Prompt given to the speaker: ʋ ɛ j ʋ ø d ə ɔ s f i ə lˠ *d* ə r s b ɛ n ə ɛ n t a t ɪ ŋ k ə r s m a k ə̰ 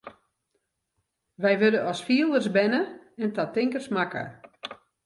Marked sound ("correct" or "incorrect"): correct